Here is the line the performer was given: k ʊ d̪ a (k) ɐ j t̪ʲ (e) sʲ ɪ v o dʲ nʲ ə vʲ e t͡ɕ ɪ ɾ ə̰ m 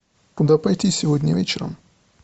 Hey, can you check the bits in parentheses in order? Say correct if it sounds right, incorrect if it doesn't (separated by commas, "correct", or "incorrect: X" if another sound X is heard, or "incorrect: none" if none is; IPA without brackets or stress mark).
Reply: incorrect: p, incorrect: i